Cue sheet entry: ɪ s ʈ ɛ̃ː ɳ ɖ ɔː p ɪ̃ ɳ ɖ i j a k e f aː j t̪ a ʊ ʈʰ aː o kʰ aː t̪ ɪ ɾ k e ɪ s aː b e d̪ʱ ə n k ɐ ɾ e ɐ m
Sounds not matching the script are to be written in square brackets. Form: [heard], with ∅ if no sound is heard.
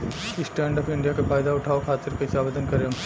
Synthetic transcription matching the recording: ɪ s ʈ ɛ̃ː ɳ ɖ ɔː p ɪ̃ ɳ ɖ i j a k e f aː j [d̪] a ʊ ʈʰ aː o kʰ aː t̪ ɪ ɾ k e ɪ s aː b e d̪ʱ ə n k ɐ ɾ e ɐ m

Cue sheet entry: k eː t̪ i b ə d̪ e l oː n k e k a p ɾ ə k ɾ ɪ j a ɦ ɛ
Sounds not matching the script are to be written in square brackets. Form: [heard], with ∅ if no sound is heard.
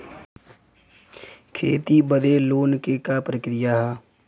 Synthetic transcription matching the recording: [kʰ] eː t̪ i b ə d̪ e l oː n k e k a p ɾ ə k ɾ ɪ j a ɦ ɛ

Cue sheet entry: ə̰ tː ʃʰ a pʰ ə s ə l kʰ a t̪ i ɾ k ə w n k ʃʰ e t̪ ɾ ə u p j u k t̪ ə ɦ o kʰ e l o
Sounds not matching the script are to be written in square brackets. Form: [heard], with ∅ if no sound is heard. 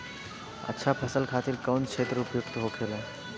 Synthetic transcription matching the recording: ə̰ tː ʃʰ a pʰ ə s ə l kʰ a t̪ i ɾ k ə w n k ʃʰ e t̪ ɾ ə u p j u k t̪ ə ɦ o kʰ e l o

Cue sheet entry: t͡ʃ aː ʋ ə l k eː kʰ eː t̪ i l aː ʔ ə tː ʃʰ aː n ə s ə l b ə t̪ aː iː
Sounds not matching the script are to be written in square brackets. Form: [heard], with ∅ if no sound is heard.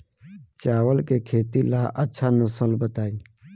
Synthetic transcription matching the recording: t͡ʃ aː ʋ ə l k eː kʰ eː t̪ i l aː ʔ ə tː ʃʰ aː n ə s ə l b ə t̪ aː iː

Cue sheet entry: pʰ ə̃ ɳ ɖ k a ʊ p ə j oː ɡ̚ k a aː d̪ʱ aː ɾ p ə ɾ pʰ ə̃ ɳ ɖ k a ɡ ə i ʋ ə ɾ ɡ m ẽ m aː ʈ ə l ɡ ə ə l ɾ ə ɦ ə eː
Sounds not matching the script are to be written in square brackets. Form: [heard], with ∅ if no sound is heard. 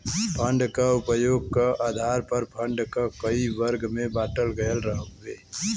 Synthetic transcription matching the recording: pʰ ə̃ ɳ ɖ k a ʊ p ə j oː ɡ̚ k a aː d̪ʱ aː ɾ p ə ɾ pʰ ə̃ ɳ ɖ k a [k] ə i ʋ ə ɾ ɡ m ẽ [b] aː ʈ ə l ɡ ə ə l ɾ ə ɦ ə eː

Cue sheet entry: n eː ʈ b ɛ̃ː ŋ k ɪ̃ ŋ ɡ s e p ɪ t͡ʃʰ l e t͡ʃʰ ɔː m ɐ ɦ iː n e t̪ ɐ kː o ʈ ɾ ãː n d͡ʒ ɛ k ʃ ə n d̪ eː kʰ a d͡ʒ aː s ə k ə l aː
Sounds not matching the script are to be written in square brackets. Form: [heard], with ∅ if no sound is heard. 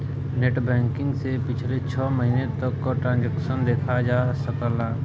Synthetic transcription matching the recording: n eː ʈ b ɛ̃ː ŋ k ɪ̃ ŋ ɡ s e p ɪ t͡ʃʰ l e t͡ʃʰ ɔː m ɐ ɦ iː n e t̪ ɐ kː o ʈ ɾ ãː n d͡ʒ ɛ k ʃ ə n d̪ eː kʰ a d͡ʒ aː s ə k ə l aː

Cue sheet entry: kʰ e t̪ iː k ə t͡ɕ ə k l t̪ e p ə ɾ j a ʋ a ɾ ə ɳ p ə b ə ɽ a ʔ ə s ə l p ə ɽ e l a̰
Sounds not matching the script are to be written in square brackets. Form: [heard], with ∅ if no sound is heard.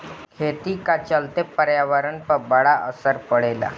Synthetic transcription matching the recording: kʰ e t̪ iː k [a] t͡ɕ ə [∅] l t̪ e p ə ɾ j a ʋ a ɾ ə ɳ p ə b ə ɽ a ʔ ə s ə [ɾ] p ə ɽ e l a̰

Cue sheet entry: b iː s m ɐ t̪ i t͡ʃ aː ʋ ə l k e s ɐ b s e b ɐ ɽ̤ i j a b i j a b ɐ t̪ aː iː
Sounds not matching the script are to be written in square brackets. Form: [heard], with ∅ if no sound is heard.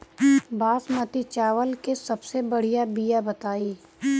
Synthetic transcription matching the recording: b [aː] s m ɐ t̪ i t͡ʃ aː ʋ ə l k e s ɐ b s e b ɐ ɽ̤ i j a b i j a b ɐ t̪ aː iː

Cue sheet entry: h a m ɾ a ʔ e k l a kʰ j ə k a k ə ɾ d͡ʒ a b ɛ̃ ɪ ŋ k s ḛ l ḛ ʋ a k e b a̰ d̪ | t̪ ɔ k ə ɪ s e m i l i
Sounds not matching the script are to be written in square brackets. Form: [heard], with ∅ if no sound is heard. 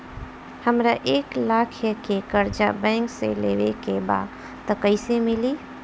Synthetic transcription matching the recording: h [ə] m ɾ a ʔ e k l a kʰ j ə k [e] k ə ɾ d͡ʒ a b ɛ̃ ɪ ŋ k s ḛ l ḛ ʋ [e] k e b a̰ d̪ | t̪ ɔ k ə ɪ s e m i l i

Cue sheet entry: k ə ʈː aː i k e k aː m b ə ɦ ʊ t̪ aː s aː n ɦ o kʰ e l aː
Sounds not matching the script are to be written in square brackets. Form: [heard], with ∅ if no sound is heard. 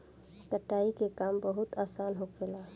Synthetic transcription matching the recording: k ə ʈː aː i k e k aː m b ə ɦ ʊ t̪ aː s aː n ɦ o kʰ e l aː

